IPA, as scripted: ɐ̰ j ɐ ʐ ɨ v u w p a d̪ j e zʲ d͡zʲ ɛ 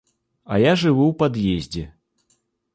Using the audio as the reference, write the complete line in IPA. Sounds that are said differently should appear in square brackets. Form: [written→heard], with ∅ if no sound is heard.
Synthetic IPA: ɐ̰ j [ɐ→a] ʐ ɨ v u w p a d̪ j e zʲ d͡zʲ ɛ